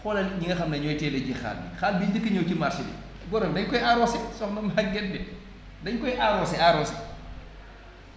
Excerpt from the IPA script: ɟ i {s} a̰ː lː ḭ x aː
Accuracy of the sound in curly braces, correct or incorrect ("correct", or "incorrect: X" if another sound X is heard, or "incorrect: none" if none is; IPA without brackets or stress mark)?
incorrect: x